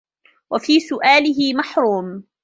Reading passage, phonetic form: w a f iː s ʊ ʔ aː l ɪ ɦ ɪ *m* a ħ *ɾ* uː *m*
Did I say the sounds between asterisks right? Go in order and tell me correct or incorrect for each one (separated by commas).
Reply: correct, correct, correct